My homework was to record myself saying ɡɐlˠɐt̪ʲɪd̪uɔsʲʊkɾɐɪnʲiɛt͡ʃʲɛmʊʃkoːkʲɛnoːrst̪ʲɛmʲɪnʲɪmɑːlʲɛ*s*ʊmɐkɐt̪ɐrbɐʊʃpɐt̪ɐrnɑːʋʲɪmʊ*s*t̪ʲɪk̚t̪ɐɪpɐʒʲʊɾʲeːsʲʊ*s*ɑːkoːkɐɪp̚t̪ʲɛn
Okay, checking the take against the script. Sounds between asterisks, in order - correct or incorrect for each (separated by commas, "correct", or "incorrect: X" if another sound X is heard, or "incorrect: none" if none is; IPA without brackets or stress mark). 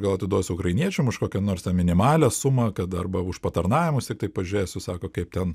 correct, correct, correct